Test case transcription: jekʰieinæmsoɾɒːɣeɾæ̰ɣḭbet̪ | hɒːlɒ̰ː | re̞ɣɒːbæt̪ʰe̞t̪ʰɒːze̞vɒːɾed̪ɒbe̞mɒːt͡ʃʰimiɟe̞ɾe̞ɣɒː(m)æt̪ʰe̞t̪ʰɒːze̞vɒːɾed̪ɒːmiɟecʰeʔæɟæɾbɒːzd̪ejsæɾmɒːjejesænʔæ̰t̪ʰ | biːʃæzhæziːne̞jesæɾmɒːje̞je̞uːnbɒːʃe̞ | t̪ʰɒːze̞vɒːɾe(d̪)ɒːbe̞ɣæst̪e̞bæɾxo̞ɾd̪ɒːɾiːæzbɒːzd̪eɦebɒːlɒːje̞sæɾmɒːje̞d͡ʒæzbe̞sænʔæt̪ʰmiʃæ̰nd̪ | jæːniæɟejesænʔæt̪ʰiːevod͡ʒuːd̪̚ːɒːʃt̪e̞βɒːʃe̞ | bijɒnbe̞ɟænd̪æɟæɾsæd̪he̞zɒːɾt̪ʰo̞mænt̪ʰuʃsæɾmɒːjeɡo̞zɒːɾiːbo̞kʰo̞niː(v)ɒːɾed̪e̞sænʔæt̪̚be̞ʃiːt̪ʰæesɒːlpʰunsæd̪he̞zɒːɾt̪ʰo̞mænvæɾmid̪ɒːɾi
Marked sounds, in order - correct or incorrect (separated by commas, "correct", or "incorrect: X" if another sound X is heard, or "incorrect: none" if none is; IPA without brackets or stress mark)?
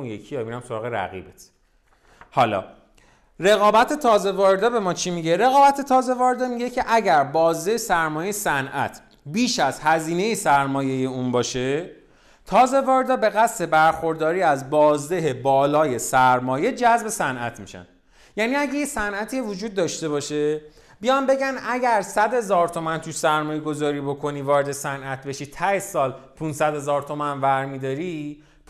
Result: incorrect: b, correct, correct